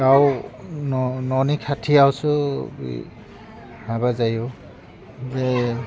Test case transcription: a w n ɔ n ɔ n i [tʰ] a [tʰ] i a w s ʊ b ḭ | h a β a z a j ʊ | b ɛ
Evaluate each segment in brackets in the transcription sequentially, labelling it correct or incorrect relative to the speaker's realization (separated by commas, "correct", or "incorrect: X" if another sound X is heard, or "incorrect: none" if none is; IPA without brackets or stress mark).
incorrect: kʰ, correct